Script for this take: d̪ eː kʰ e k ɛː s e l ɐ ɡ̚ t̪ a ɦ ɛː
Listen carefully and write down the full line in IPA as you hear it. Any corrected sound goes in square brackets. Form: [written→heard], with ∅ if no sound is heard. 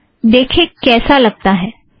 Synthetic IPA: d̪ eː kʰ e k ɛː s [e→a] l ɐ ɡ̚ t̪ a ɦ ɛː

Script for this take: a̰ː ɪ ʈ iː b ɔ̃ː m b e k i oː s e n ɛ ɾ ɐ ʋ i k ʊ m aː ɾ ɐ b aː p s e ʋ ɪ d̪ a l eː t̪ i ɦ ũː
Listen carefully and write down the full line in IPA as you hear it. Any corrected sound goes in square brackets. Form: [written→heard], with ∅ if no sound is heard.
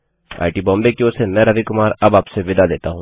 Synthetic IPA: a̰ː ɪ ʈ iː b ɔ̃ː m b e k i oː s e n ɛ ɾ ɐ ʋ i k ʊ m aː ɾ ɐ b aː p s e ʋ ɪ d̪ a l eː t̪ [i→a] ɦ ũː

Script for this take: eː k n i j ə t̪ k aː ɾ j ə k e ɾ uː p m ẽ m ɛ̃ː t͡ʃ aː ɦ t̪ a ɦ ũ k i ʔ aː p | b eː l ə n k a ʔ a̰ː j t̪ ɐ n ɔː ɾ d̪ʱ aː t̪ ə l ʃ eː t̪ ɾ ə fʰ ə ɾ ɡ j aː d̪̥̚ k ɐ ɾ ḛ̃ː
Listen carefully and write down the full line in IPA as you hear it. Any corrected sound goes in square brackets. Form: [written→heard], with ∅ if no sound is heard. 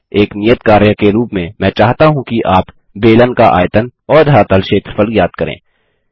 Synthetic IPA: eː k n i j ə t̪ k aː ɾ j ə k e ɾ uː p m ẽ m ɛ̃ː t͡ʃ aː ɦ t̪ a ɦ ũ k i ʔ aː p | b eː l ə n k a ʔ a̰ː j t̪ [ɐ→ə] n ɔː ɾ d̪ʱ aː t̪ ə l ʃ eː t̪ ɾ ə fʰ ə [ɾ→l] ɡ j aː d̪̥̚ k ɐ ɾ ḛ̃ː

